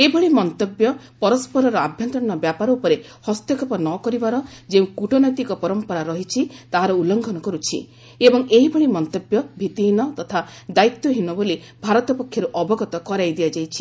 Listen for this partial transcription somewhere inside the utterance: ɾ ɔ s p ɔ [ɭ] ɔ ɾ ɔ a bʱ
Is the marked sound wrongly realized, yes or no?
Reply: yes